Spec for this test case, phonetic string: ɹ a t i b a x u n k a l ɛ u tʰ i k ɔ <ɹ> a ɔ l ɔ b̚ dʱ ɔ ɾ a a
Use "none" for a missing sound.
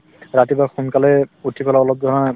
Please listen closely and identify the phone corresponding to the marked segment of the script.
l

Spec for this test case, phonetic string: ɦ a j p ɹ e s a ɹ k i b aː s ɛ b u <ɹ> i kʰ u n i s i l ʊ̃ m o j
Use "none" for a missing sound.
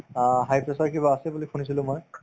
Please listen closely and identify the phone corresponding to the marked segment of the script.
l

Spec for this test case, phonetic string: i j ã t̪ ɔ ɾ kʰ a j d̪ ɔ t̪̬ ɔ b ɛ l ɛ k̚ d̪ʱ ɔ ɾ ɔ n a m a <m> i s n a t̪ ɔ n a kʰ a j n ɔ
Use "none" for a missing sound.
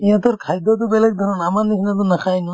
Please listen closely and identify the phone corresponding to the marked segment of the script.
n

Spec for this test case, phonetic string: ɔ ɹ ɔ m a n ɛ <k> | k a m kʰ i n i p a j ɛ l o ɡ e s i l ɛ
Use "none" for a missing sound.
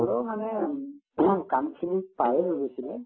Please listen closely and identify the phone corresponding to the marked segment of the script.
none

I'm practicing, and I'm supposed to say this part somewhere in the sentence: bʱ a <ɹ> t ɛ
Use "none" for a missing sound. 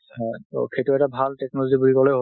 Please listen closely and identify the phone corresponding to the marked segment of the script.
l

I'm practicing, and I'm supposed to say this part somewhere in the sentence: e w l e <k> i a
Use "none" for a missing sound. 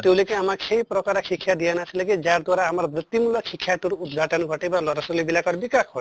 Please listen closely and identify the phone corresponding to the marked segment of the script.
k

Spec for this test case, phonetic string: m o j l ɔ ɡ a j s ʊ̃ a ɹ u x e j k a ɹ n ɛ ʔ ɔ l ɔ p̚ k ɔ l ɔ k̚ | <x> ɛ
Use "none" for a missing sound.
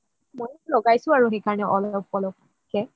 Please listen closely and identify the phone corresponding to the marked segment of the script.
k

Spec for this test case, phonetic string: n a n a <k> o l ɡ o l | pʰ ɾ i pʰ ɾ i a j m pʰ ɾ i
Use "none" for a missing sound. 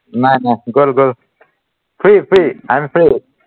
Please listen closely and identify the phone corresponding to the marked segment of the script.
ɡ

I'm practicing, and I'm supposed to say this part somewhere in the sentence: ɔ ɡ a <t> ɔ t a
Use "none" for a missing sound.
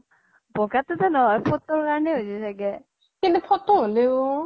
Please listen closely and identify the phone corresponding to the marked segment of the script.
t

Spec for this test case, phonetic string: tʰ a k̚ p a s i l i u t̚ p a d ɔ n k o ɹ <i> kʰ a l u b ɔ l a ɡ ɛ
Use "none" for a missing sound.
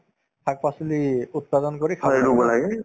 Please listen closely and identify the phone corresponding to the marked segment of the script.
i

